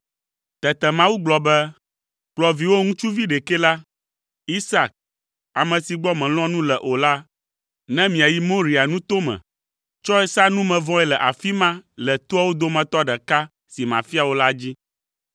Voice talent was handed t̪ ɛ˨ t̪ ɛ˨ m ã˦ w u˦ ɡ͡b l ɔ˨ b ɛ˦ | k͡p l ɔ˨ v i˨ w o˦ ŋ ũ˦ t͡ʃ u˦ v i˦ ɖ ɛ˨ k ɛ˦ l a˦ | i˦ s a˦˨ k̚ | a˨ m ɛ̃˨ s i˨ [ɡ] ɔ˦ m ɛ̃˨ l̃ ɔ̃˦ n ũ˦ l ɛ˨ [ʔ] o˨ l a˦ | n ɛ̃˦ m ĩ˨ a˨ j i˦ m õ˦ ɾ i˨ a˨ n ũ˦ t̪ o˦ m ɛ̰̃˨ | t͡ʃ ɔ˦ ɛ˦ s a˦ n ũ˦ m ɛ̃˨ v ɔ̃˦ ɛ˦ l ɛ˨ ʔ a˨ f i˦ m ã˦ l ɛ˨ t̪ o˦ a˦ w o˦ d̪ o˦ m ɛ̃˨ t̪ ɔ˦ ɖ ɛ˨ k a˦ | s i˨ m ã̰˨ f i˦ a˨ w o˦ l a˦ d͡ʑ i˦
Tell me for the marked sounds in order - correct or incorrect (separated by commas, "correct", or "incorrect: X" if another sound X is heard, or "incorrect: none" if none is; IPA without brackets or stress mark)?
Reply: incorrect: ɡ͡b, correct